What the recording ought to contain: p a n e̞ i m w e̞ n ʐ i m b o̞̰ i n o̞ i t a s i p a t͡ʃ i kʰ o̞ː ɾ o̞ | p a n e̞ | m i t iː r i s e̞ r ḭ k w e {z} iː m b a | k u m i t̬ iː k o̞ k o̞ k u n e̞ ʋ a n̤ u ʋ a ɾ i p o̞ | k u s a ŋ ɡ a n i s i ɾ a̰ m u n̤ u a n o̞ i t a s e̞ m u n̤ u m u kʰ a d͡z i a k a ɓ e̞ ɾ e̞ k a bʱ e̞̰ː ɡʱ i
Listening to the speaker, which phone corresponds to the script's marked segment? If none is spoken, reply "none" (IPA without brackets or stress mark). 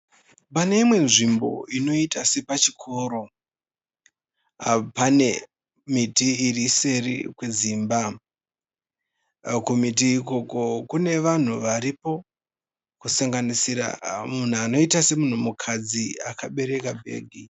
z